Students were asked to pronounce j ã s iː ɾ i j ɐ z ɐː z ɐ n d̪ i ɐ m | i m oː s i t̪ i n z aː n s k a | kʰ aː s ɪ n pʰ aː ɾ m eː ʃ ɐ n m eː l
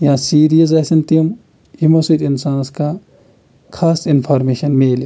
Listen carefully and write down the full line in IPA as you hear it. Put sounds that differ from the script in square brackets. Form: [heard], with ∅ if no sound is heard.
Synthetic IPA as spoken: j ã s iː ɾ i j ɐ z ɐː [s] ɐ n [t̪] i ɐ m | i m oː s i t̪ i n [s] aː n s k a | kʰ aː s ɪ n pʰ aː ɾ m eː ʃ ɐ n m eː l